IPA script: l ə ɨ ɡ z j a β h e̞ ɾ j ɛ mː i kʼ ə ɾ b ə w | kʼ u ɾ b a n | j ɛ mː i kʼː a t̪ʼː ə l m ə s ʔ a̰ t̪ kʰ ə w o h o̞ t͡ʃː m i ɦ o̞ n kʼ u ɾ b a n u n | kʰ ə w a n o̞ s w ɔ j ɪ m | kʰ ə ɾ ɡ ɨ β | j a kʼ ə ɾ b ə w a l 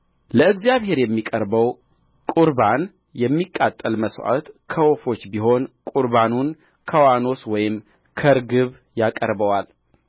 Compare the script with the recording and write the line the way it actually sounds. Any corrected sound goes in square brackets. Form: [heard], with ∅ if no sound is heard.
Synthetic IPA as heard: l ə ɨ ɡ z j a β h e̞ ɾ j ɛ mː i kʼ ə ɾ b ə w | kʼ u ɾ b a n | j ɛ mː i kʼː a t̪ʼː ə l m ə s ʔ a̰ t̪ kʰ ə w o [f] o̞ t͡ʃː [b] i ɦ o̞ n kʼ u ɾ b a n u n | kʰ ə w a n o̞ s w ɔ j ɪ m | kʰ ə ɾ ɡ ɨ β | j a kʼ ə ɾ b ə w a l